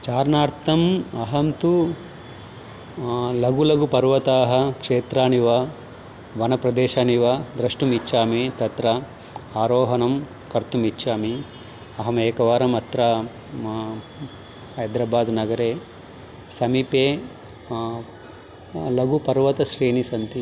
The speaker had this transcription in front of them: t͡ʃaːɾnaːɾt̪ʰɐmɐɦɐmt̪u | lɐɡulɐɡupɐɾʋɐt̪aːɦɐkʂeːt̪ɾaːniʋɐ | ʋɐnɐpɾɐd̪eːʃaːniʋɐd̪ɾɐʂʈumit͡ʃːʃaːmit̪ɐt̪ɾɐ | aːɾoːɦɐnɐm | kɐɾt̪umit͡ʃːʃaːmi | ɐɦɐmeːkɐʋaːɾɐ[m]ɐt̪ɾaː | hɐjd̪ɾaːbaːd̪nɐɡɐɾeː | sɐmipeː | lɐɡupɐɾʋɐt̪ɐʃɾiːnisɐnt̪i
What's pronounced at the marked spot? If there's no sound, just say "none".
m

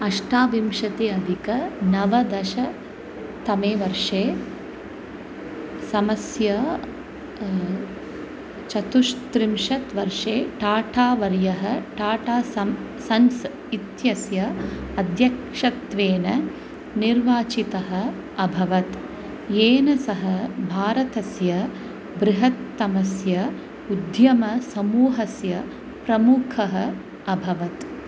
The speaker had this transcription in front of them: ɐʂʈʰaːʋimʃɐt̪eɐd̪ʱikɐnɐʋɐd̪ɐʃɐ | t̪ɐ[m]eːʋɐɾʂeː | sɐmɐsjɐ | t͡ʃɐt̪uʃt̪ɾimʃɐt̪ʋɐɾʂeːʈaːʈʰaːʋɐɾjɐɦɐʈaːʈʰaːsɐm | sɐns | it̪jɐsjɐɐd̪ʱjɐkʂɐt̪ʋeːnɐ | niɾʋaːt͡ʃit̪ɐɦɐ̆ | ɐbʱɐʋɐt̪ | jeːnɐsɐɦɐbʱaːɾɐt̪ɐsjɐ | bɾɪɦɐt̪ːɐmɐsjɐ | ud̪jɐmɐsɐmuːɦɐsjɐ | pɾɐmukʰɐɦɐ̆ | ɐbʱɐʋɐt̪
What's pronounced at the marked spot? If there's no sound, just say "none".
m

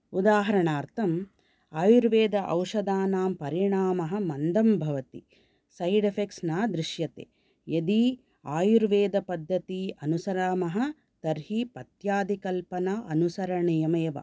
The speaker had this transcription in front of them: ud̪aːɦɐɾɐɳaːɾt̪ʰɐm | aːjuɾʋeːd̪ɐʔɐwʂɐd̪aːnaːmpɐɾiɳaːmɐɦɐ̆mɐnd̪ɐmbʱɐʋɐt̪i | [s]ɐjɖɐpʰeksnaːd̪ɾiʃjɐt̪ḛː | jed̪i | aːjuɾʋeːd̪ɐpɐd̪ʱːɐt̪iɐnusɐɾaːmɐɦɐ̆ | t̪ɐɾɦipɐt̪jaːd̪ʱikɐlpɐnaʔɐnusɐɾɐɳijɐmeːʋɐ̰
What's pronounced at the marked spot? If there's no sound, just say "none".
s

